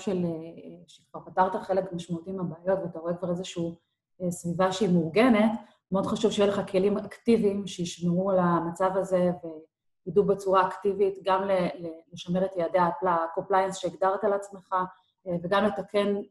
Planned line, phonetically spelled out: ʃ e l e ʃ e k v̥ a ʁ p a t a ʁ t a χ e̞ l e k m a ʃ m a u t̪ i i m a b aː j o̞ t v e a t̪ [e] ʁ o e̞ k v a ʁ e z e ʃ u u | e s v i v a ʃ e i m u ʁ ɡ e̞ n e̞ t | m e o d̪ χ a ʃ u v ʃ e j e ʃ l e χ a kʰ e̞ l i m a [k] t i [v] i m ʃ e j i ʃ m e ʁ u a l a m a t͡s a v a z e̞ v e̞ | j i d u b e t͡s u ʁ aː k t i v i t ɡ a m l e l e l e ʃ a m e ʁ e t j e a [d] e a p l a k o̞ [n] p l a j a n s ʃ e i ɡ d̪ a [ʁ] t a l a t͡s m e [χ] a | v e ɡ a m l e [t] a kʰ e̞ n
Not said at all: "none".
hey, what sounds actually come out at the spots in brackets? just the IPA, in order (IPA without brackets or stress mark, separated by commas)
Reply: a, k, v, d, m, ʁ, χ, t